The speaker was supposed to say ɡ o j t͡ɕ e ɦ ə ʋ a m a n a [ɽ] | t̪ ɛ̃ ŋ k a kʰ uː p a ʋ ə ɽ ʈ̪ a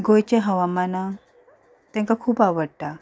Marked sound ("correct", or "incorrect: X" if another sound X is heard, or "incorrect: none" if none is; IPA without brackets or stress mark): incorrect: none